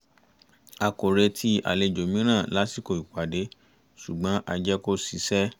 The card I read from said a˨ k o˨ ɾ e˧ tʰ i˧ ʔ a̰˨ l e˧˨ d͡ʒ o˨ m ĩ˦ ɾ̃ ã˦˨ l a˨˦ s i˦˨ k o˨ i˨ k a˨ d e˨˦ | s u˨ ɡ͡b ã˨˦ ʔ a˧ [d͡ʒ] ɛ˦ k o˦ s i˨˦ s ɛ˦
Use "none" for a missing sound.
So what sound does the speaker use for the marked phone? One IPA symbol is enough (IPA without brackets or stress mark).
d͡ʒ